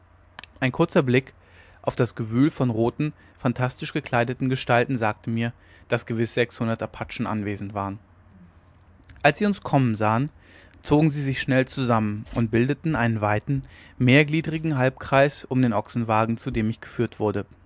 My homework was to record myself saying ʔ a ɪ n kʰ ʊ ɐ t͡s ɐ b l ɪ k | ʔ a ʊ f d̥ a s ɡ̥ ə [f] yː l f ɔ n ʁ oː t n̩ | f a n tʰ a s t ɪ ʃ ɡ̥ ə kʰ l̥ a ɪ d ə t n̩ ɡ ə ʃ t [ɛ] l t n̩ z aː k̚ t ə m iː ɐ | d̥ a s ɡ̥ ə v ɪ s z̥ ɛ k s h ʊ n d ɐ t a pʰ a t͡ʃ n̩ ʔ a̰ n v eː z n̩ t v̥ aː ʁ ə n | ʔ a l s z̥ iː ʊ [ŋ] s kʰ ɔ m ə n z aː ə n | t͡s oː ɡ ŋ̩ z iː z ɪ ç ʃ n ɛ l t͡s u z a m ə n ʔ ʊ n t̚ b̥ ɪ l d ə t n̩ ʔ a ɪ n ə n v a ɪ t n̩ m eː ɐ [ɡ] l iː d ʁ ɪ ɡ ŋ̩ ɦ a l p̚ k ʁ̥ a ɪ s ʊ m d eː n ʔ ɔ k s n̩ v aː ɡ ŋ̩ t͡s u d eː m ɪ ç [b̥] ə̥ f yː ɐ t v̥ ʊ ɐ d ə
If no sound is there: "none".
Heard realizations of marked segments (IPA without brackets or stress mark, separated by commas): v, a, n, ɡ, ɡ̥